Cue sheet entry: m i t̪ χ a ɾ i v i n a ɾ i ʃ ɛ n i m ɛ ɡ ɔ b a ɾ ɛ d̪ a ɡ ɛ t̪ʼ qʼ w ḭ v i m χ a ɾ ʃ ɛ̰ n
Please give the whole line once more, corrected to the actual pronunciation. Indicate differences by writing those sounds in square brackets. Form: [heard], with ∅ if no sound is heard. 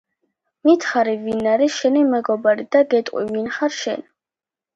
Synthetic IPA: m i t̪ χ a ɾ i v i n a ɾ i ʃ ɛ n i m ɛ ɡ ɔ b a ɾ [i] d̪ a ɡ ɛ t̪ʼ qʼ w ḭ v i [n] χ a ɾ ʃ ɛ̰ n